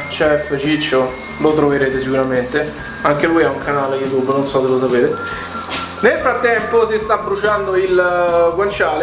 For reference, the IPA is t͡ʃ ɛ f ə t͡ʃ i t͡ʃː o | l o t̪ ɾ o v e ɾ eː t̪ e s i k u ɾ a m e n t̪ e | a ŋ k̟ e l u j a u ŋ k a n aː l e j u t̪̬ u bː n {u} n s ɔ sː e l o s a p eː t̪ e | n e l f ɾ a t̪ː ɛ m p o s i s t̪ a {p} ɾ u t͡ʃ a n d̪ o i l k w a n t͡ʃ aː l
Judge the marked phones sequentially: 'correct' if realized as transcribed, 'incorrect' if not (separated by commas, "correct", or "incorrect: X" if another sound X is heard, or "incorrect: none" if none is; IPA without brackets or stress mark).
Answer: incorrect: o, incorrect: b